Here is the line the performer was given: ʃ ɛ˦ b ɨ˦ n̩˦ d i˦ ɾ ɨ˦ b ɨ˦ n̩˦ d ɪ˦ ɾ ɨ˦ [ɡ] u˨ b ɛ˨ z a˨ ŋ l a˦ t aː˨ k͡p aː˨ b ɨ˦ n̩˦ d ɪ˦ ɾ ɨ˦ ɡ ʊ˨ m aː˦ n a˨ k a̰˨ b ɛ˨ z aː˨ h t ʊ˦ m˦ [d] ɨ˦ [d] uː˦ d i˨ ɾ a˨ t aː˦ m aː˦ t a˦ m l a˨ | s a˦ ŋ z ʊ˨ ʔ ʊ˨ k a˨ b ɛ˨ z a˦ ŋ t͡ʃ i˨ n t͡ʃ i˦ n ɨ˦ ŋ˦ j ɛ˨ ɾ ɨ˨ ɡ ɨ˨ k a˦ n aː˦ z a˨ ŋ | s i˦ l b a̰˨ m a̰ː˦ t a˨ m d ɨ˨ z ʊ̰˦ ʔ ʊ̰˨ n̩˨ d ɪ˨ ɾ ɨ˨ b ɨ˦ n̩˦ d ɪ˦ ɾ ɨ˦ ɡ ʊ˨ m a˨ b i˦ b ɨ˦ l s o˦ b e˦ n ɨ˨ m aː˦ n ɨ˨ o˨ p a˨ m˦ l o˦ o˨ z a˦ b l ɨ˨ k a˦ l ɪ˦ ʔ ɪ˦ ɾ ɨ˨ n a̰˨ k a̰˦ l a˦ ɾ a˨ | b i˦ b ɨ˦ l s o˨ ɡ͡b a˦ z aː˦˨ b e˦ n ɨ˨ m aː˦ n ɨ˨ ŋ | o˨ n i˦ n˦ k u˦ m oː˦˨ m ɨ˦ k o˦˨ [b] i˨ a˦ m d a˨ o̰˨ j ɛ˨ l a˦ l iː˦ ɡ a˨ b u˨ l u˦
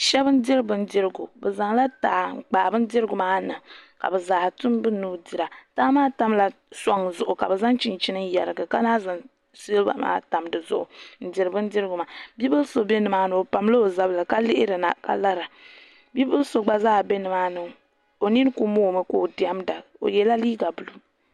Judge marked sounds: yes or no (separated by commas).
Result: yes, no, no, no